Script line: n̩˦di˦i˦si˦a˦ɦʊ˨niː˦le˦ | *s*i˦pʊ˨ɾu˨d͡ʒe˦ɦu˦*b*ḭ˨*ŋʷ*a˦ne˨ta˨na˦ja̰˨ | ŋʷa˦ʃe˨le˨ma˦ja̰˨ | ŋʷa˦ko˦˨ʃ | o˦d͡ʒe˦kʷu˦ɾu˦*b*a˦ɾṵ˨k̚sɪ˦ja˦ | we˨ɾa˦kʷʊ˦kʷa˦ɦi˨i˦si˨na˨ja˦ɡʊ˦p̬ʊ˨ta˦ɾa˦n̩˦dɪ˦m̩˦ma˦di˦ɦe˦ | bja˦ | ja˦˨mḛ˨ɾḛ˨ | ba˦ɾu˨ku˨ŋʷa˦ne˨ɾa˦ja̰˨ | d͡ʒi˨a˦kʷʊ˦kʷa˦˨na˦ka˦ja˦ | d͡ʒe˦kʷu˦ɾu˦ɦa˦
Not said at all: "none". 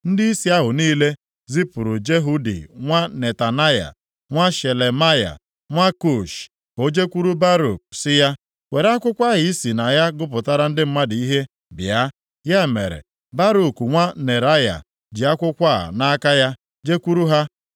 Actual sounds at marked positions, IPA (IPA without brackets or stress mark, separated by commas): z, d, ŋʷ, b